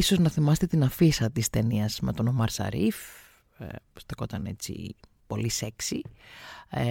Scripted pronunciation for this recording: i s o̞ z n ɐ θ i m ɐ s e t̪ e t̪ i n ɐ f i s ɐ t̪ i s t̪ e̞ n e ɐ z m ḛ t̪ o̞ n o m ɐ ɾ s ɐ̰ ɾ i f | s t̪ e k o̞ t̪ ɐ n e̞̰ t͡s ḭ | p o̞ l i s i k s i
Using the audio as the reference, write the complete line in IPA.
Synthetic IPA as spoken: i s o̞ z n ɐ θ i m ɐ s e t̪ e t̪ i n ɐ f i s ɐ t̪ i s t̪ e̞ n i ɐ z m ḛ t̪ o̞ n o m ɐ ɾ s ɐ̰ ɾ i f | s t̪ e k o̞ t̪ ɐ n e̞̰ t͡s ḭ | p o̞ l i s e k s i